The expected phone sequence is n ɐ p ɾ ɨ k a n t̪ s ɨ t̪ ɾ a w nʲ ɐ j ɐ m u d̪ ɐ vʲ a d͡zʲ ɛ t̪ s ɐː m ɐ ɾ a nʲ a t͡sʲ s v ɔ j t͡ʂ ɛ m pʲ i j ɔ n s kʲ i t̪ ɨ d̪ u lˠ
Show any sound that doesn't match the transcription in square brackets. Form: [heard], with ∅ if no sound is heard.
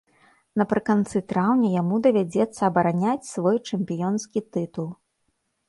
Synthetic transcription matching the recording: n ɐ p ɾ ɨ k a n t̪ s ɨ t̪ ɾ a w nʲ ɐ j [a] m u d̪ ɐ vʲ a d͡zʲ ɛ t̪ [sː] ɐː [b] ɐ ɾ a nʲ a t͡sʲ s v ɔ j t͡ʂ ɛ m pʲ i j ɔ n s kʲ i t̪ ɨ [t̪] u lˠ